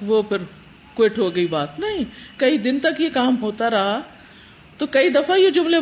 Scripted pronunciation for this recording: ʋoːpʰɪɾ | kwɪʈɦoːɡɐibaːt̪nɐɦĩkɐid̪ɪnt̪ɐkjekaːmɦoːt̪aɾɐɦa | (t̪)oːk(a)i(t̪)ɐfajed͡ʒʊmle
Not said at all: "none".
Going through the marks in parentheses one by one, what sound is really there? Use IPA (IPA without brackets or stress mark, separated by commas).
t̪, ɐ, d̪